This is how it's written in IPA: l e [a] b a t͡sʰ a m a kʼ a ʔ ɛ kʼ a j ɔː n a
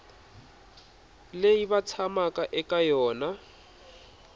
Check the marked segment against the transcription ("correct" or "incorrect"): incorrect